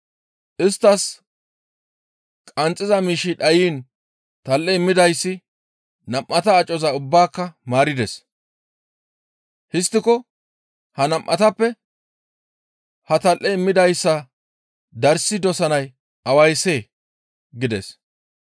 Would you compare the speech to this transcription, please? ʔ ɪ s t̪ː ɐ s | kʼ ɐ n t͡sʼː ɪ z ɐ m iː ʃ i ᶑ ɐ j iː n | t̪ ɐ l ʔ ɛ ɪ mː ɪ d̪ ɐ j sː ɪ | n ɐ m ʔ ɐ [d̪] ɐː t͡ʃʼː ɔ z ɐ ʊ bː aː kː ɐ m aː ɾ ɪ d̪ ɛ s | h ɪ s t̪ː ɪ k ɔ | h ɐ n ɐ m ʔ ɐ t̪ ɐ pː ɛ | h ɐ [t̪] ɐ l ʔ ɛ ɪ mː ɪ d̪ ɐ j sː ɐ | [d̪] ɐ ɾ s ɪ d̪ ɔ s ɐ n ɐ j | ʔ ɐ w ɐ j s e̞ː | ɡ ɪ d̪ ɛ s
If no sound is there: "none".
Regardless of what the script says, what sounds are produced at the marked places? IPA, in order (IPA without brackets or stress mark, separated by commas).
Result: t̪, t̪, d̪